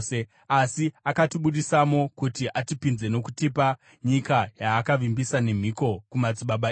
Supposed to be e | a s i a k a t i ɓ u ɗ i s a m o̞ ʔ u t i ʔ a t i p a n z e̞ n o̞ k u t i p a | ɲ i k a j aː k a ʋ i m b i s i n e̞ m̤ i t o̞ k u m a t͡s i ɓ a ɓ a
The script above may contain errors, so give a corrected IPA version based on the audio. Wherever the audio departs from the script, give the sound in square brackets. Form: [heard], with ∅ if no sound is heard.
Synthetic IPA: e | a s i a k a t i ɓ u ɗ i s a m o̞ [k] u t i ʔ a t i p [i] n z e̞ n o̞ k u t i p a | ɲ i k a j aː k a ʋ i m b i s [a] n e̞ m̤ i [k] o̞ k u m a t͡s i ɓ a ɓ a